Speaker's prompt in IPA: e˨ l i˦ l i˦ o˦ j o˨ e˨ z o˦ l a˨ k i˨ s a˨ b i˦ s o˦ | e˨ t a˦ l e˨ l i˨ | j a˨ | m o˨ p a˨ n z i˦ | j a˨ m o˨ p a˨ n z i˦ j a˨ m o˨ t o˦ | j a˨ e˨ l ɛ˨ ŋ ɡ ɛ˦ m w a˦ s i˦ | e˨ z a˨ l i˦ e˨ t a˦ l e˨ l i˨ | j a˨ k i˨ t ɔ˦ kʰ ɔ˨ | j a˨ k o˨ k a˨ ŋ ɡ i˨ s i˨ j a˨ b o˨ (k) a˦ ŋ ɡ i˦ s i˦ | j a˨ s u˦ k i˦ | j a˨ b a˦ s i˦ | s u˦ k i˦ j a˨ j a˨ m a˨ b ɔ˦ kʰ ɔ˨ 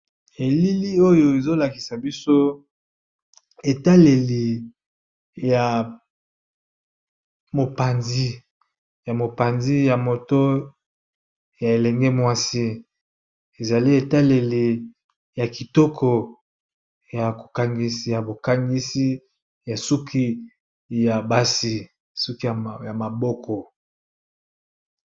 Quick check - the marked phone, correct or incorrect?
correct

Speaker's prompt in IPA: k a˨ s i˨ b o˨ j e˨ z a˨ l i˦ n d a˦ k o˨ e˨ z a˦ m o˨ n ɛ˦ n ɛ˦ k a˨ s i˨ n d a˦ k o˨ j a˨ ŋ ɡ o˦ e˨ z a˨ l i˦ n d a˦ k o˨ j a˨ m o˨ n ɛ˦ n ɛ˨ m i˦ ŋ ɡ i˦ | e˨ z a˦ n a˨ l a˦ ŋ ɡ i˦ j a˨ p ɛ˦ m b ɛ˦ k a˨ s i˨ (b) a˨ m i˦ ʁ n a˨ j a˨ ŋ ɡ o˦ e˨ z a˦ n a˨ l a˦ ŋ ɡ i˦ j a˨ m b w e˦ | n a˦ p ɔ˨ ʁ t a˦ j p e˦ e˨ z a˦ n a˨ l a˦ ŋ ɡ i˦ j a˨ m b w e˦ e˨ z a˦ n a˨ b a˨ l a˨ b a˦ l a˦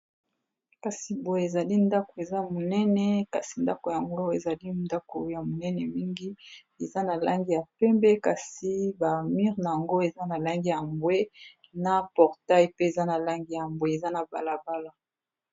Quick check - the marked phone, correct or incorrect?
correct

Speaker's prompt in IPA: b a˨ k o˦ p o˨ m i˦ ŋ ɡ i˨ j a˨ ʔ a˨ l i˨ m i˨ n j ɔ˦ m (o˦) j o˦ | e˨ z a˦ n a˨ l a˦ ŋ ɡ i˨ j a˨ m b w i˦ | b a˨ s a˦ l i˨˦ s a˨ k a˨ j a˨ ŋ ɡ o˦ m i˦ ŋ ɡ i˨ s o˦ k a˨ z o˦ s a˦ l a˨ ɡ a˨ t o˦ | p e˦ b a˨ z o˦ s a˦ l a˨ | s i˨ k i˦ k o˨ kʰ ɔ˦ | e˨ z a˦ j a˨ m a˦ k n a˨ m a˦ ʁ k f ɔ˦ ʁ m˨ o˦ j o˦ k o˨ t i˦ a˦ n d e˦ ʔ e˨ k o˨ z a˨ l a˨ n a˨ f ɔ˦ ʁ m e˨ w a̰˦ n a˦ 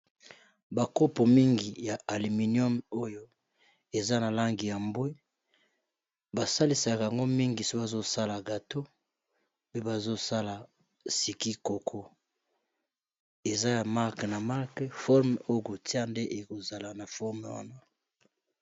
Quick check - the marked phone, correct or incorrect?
correct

